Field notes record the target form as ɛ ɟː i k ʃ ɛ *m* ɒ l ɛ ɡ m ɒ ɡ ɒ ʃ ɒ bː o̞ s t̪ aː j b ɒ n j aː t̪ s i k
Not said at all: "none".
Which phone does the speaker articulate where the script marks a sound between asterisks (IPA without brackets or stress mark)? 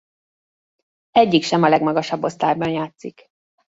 m